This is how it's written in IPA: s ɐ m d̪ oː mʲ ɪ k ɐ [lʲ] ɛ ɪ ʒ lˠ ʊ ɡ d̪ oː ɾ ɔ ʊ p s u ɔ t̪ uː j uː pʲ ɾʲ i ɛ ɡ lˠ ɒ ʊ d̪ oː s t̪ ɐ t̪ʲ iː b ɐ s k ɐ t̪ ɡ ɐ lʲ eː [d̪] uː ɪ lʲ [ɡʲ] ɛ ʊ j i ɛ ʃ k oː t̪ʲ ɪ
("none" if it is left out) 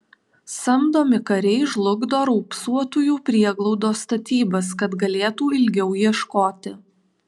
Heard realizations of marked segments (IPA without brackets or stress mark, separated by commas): ɾʲ, t̪, ɡʲ